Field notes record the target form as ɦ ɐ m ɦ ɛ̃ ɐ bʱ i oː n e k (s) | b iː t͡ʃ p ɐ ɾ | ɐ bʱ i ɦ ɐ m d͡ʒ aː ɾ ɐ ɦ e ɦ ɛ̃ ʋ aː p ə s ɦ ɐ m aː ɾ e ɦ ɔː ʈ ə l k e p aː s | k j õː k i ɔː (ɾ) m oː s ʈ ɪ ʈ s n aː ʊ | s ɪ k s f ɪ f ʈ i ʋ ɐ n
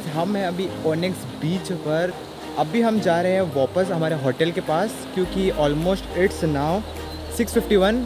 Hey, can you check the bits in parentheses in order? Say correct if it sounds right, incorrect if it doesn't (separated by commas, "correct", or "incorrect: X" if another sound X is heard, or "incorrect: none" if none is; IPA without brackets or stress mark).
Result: correct, incorrect: l